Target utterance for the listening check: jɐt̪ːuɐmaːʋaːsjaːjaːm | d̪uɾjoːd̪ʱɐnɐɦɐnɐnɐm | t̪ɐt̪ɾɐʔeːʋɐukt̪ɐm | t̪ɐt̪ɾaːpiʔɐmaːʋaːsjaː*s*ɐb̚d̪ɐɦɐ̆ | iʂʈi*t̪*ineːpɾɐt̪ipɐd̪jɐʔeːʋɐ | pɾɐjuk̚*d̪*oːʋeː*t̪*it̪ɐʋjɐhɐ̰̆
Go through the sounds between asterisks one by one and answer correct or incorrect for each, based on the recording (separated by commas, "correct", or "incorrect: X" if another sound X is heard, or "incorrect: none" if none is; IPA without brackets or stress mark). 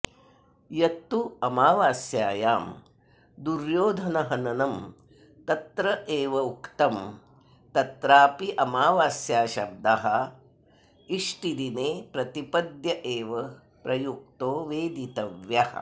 incorrect: ʃ, incorrect: d̪, incorrect: t̪, incorrect: d̪